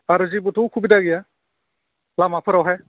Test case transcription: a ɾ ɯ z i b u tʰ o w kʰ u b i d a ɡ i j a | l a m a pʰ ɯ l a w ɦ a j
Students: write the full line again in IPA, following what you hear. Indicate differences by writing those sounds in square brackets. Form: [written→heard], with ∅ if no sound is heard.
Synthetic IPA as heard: a ɾ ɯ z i b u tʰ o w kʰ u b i d a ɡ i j a | l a m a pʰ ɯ [l→ɾ] a w ɦ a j